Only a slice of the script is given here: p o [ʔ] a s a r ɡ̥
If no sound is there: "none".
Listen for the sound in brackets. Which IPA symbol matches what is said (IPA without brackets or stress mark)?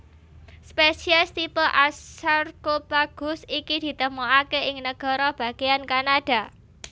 ʔ